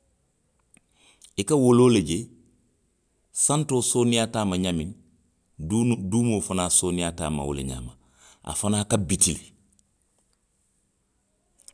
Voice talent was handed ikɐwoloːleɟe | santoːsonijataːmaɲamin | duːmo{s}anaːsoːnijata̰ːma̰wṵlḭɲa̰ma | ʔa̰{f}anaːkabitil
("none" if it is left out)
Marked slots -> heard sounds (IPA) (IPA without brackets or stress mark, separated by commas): f, f